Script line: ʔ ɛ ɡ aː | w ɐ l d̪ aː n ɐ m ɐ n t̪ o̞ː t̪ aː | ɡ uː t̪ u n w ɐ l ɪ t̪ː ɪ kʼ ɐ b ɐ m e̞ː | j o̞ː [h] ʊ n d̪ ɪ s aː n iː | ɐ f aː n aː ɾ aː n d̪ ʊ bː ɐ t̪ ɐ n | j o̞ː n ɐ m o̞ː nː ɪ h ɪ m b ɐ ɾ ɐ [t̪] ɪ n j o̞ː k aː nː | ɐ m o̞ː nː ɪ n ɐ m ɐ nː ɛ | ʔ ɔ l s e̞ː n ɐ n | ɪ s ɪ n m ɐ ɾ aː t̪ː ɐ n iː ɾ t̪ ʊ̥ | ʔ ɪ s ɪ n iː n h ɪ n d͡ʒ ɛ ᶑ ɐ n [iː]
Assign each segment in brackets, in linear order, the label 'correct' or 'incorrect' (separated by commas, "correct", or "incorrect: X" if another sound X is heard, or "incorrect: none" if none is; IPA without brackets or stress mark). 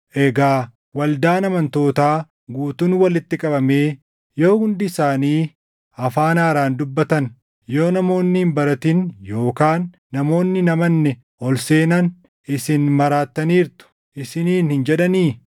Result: correct, correct, correct